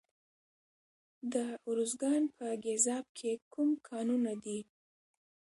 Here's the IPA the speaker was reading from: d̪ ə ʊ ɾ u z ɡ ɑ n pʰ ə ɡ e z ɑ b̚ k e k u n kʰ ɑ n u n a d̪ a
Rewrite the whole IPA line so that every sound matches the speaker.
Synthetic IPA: d̪ ə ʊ ɾ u z ɡ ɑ n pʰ ə ɡ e z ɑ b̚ kʰ e k u m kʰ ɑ n u n a d̪ i